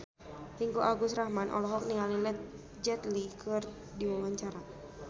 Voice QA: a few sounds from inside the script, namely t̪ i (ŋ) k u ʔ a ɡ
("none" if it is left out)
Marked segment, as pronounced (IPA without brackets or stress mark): ŋ